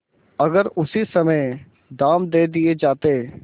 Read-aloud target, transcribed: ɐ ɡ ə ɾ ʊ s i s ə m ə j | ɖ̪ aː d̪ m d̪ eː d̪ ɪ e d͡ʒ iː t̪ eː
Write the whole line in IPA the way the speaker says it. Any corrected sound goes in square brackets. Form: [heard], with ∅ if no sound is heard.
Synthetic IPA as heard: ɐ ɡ ə ɾ ʊ s i s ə m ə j | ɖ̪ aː [∅] m d̪ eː d̪ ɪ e d͡ʒ [aː] t̪ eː